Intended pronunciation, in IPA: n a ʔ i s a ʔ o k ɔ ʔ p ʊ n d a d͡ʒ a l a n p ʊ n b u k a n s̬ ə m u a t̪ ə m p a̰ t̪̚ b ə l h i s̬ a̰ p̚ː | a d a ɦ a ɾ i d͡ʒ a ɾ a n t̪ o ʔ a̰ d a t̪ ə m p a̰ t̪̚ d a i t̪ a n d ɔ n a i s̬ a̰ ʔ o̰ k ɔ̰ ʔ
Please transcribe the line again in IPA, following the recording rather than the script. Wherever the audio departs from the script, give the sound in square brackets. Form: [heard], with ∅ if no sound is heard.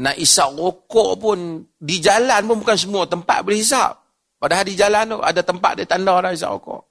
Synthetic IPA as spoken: n a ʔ i s a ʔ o k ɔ ʔ p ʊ n d [i] d͡ʒ a l a n p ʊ n b u k a n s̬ ə m u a t̪ ə m p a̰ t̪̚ b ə l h i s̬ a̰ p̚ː | a d a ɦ a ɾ i d͡ʒ a [l] a n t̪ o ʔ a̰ d a t̪ ə m p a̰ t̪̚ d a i t̪ a n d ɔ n a i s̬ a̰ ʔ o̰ k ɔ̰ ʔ